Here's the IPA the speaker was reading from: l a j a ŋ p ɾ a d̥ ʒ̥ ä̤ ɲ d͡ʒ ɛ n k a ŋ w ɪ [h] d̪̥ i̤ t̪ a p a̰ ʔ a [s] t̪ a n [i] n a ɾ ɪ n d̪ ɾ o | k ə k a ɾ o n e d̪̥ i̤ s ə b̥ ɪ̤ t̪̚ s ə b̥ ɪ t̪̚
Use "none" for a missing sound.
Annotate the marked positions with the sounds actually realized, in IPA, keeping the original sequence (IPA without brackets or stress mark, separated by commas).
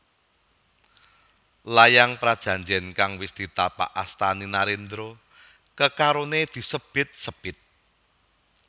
s, s, i